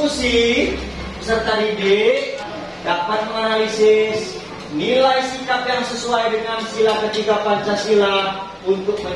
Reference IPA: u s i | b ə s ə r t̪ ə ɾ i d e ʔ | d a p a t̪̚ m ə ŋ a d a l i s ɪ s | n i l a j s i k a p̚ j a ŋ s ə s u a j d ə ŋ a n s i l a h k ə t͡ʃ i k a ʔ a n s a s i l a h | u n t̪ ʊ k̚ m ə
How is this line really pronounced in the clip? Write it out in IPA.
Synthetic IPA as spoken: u s i | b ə s ə r t̪ a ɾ i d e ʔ | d a p a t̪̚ m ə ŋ a n a l i s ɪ s | n i l a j s i k a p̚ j a ŋ s ə s u a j d ə ŋ a n s i l a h k ə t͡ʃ i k a p a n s a s i l a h | u n t̪ ʊ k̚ m ə